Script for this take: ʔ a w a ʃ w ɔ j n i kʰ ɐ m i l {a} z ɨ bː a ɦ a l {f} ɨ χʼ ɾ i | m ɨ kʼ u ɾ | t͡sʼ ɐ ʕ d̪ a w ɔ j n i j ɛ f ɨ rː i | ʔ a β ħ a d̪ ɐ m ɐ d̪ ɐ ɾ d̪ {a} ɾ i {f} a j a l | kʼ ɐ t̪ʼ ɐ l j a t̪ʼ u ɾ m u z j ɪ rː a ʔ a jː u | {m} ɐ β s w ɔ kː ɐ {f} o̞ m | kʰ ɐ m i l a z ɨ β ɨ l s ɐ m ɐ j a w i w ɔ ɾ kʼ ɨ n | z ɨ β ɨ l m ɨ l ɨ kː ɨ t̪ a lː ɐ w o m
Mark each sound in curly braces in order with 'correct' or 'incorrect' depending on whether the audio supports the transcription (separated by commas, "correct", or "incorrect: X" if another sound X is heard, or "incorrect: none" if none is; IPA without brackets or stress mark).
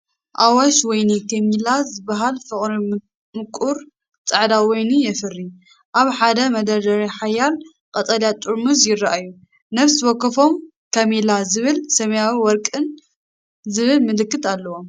correct, correct, incorrect: ɐ, incorrect: ħ, incorrect: n, correct